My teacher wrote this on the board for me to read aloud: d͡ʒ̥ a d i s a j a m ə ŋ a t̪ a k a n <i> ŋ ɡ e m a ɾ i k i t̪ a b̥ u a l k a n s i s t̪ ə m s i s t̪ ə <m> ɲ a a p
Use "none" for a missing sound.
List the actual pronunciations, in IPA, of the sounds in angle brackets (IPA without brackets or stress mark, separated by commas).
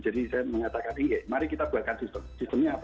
i, m